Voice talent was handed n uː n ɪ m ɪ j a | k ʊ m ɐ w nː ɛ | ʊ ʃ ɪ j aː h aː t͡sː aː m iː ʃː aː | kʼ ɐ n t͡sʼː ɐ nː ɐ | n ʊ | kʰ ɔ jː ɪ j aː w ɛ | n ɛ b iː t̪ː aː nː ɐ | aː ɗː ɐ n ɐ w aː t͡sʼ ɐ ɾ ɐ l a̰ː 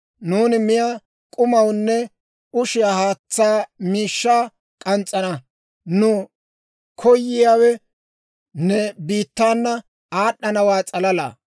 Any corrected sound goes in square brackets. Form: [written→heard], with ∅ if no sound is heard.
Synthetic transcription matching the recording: n uː n ɪ m ɪ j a | [k→kʼ] ʊ m ɐ w nː ɛ | ʊ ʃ ɪ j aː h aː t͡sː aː m iː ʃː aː | kʼ ɐ n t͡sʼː ɐ [nː→n] ɐ | n ʊ | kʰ ɔ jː ɪ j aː w ɛ | n ɛ b iː t̪ː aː nː ɐ | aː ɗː ɐ n ɐ w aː t͡sʼ ɐ [ɾ→l] ɐ l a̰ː

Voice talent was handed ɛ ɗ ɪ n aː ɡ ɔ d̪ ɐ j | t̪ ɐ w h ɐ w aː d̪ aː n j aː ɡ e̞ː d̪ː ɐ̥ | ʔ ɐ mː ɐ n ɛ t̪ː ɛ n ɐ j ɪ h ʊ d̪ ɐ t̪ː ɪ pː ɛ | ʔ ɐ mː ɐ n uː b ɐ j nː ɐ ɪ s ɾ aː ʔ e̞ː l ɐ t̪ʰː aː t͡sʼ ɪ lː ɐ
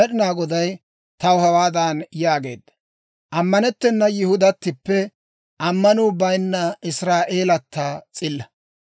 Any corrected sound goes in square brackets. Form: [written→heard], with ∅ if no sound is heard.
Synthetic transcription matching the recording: ɛ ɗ ɪ n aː ɡ ɔ d̪ ɐ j | t̪ ɐ w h ɐ w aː d̪ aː n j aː ɡ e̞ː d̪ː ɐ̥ | ʔ ɐ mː ɐ n ɛ t̪ː ɛ [n→nː] ɐ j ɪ h ʊ d̪ ɐ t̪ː ɪ pː ɛ | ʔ ɐ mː ɐ n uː b ɐ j nː ɐ ɪ s ɾ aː ʔ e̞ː l ɐ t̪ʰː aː t͡sʼ ɪ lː ɐ

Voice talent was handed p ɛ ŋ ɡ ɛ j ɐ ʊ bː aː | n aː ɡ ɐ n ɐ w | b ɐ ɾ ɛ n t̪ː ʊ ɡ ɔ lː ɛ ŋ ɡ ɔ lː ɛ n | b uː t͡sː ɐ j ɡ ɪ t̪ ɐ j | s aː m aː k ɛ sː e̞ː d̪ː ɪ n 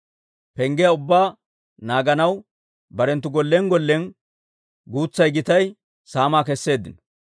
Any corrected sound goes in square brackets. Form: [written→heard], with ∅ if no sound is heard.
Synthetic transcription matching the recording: p ɛ ŋ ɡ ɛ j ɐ ʊ bː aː | n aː ɡ ɐ n ɐ w | b ɐ ɾ ɛ n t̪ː ʊ ɡ ɔ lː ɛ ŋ ɡ ɔ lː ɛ n | [b→ɡ] uː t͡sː ɐ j ɡ ɪ t̪ ɐ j | s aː m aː k ɛ sː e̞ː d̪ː ɪ n

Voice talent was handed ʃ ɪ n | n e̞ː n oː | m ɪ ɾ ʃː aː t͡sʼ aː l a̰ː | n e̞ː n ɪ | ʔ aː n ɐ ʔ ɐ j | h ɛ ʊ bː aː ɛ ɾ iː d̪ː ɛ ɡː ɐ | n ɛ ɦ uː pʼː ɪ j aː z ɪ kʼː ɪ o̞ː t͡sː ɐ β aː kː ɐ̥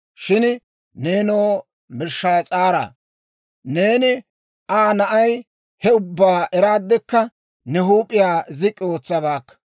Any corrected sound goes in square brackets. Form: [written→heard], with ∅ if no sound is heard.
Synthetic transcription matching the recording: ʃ ɪ n | n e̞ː n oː | m ɪ ɾ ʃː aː t͡sʼ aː [l→ɾ] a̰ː | n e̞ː n ɪ | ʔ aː n ɐ ʔ ɐ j | h ɛ ʊ bː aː ɛ ɾ [iː→aː] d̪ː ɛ [ɡː→kː] ɐ | n ɛ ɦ uː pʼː ɪ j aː z ɪ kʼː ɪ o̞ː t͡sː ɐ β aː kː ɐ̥

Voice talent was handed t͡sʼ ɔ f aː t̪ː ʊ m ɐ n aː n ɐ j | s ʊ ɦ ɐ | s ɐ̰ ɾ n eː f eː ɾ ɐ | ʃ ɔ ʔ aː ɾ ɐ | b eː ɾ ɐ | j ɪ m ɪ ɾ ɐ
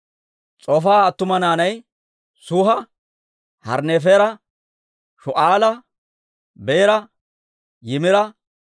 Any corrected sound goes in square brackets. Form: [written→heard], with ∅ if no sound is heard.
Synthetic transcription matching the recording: t͡sʼ ɔ f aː t̪ː ʊ m ɐ n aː n ɐ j | s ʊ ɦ ɐ | [s→h] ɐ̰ ɾ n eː f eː ɾ ɐ | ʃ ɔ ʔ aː [ɾ→l] ɐ | b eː ɾ ɐ | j ɪ m ɪ ɾ ɐ

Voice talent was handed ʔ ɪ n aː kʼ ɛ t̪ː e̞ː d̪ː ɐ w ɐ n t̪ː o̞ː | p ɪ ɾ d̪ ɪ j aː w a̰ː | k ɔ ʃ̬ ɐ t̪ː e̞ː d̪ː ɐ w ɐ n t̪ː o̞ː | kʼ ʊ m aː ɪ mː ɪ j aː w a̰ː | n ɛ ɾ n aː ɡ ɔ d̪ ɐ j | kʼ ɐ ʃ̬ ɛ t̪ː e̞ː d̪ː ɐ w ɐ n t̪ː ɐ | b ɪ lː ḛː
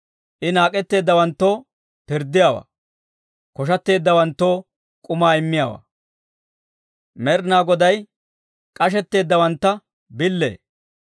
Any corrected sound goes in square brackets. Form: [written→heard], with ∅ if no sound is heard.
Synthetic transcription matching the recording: ʔ ɪ n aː kʼ ɛ t̪ː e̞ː d̪ː ɐ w ɐ n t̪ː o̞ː | p ɪ ɾ d̪ ɪ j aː w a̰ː | k ɔ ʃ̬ ɐ t̪ː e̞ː d̪ː ɐ w ɐ n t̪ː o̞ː | kʼ ʊ m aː ɪ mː ɪ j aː w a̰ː | [n→m] ɛ ɾ n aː ɡ ɔ d̪ ɐ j | kʼ ɐ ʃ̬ ɛ t̪ː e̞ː d̪ː ɐ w ɐ n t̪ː ɐ | b ɪ lː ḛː

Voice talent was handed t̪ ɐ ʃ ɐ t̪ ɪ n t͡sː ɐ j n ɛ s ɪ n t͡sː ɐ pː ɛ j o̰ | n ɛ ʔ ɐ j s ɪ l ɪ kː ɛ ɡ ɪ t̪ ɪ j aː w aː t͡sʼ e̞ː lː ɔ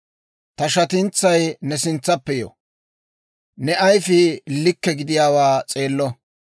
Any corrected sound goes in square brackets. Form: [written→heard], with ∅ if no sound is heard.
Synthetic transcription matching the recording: t̪ ɐ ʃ ɐ t̪ ɪ n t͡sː ɐ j n ɛ s ɪ n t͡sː ɐ pː ɛ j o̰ | n ɛ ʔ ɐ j [s→f] ɪ l ɪ kː ɛ ɡ ɪ [t̪→d̪] ɪ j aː w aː t͡sʼ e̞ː lː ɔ

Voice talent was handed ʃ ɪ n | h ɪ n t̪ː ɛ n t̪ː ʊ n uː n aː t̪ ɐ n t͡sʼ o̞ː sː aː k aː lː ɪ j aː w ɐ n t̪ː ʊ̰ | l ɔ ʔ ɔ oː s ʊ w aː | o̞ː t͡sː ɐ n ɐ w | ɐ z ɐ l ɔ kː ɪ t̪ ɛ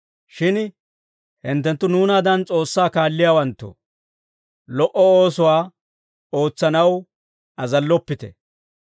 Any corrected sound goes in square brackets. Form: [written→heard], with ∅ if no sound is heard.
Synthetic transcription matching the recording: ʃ ɪ n | h ɪ n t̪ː ɛ n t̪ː ʊ n uː n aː [t̪→d̪] ɐ n t͡sʼ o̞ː sː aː k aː lː ɪ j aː w ɐ n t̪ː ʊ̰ | l ɔ ʔ ɔ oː s ʊ w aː | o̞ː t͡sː ɐ n ɐ w | ɐ z ɐ [l→lː] ɔ [kː→pː] ɪ t̪ ɛ

